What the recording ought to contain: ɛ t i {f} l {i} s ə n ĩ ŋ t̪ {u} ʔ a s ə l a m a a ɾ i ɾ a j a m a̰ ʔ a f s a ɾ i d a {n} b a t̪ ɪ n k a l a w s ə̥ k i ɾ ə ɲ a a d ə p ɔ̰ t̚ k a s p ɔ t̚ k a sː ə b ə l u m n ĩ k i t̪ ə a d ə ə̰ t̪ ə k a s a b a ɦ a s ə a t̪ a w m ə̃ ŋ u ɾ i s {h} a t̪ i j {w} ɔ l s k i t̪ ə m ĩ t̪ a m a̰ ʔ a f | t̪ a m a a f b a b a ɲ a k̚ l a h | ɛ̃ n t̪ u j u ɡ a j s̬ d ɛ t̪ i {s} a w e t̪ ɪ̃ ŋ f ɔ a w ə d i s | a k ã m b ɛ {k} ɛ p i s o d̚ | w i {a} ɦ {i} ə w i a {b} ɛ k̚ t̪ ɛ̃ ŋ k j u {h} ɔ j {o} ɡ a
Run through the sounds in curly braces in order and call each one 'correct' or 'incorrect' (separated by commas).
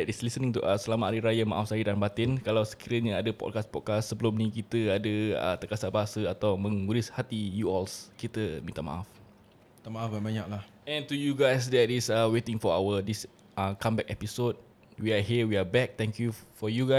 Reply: incorrect, correct, correct, correct, correct, incorrect, correct, correct, correct, correct, correct, incorrect, incorrect